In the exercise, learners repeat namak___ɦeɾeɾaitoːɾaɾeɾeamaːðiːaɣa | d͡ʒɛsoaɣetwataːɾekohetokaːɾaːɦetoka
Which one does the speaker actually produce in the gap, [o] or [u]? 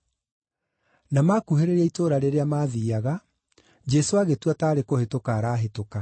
u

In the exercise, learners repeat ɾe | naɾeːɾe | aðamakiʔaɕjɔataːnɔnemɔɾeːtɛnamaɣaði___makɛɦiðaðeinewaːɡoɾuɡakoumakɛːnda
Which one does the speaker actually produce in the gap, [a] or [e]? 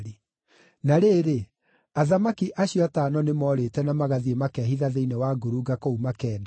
e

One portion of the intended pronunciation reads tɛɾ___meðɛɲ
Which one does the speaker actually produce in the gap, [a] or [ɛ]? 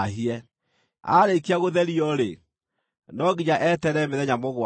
ɛ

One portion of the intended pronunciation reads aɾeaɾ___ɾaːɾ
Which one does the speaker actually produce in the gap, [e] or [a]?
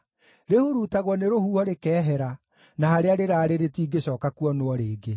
e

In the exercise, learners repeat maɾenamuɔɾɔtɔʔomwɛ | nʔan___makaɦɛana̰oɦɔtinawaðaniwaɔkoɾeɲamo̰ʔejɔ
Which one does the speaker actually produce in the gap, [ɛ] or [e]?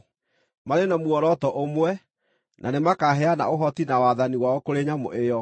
e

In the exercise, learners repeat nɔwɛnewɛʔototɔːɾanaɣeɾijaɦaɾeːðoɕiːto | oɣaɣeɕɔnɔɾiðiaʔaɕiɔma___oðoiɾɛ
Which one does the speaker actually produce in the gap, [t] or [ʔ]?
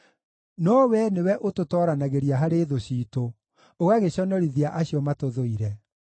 t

